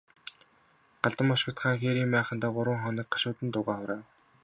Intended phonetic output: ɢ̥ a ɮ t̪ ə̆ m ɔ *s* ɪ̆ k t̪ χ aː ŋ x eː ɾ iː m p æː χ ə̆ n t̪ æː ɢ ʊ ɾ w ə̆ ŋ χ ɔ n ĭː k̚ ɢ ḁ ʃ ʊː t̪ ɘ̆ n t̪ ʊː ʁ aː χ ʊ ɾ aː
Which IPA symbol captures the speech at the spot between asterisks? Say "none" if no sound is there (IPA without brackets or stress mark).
ʃ